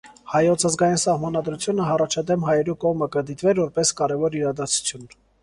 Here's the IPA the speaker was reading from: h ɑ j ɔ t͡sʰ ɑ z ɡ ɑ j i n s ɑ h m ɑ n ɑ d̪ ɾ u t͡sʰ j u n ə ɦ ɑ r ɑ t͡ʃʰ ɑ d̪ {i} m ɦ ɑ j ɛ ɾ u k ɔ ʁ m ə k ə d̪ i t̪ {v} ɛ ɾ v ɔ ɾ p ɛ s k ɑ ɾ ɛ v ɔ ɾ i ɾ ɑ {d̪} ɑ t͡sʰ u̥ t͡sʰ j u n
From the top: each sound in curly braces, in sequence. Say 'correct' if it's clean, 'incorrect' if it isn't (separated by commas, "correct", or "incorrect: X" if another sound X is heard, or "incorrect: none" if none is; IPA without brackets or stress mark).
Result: incorrect: ɛ, correct, correct